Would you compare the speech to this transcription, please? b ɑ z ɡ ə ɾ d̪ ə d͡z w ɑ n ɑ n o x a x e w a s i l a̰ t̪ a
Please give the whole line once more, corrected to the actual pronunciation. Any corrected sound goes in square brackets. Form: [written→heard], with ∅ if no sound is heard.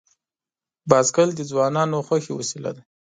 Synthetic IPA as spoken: b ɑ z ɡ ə [ɾ→l] d̪ ə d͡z w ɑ n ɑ n o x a x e w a s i l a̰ [t̪→d̪] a